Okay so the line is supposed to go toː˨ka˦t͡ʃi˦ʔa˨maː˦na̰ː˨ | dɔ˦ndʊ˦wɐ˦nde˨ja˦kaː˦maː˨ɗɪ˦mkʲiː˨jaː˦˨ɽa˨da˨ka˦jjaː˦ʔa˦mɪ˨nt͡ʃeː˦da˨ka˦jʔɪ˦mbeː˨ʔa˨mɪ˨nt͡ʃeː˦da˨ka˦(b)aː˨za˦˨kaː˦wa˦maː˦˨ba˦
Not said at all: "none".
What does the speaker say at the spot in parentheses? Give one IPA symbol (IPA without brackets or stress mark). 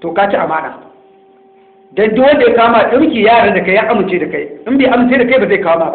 b